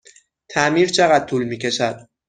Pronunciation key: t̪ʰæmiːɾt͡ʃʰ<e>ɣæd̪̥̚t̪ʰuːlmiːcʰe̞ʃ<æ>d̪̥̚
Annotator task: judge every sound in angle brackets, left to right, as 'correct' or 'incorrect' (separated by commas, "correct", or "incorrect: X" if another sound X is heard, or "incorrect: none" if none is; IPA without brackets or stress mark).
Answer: correct, correct